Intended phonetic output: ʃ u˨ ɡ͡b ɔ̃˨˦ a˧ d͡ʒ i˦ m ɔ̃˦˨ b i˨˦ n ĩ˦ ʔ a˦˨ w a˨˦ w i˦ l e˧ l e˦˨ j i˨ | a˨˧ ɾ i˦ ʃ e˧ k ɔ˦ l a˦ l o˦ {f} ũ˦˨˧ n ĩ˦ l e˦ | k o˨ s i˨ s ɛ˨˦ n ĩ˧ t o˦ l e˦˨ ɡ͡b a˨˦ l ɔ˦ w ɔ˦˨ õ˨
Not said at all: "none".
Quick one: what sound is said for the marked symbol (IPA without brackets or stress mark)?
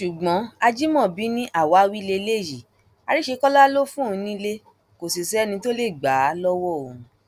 f